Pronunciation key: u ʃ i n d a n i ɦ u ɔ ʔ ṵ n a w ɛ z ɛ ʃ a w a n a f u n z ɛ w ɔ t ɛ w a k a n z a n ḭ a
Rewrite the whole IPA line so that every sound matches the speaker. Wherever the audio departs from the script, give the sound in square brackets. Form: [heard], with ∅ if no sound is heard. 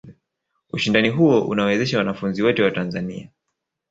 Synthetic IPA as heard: u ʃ i n d a n i ɦ u ɔ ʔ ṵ n a w ɛ z ɛ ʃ a w a n a f u n z [i] w ɔ t ɛ w a [t] a n z a n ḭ a